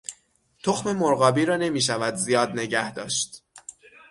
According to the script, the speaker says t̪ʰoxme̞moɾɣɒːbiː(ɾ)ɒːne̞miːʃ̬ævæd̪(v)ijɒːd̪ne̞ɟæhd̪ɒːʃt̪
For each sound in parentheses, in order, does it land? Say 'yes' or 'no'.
yes, no

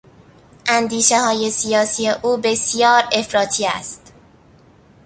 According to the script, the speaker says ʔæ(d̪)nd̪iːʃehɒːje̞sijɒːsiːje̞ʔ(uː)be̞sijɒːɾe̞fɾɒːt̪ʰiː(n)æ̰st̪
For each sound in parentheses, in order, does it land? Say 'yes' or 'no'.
no, yes, no

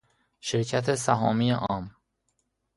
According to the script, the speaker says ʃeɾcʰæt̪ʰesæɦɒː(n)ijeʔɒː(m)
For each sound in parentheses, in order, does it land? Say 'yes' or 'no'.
no, yes

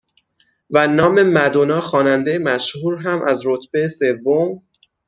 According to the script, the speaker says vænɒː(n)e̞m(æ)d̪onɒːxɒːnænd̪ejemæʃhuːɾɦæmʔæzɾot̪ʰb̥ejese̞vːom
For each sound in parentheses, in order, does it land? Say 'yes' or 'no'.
no, yes

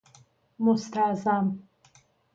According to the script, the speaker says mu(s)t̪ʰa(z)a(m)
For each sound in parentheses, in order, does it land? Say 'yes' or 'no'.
yes, yes, yes

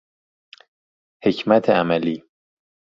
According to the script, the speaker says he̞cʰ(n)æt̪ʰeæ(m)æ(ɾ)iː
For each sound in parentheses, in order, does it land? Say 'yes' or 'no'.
no, yes, no

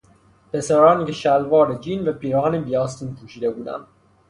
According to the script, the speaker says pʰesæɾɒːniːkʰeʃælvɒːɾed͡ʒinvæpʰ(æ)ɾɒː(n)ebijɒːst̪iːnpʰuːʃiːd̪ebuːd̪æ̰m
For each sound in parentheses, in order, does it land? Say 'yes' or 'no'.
no, yes

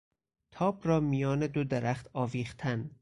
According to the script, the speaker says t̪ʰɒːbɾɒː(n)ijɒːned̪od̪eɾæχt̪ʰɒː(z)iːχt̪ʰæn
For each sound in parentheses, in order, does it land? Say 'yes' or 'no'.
no, no

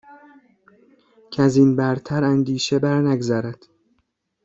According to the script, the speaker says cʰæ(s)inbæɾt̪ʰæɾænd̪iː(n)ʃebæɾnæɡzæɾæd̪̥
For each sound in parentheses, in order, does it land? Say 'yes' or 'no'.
no, no

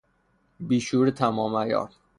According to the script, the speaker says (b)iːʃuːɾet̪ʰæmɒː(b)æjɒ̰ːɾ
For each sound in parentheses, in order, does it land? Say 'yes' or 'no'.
yes, no

